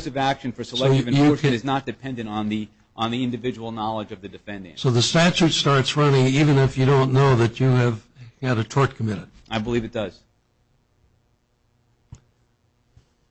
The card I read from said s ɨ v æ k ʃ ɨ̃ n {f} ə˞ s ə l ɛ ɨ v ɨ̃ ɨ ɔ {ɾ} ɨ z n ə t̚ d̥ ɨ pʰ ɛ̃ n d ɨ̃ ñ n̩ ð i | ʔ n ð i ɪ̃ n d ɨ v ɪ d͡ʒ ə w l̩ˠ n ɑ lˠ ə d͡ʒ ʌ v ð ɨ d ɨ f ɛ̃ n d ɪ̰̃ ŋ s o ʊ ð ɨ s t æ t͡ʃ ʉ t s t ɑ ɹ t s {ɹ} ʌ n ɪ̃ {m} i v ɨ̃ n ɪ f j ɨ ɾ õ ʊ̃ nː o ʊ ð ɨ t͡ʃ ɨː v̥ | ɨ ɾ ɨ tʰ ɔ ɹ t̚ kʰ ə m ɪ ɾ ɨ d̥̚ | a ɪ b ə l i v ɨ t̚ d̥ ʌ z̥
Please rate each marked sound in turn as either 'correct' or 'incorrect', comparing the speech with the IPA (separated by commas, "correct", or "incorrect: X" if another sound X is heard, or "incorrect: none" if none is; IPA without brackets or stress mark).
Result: correct, incorrect: ɹ, correct, incorrect: ŋ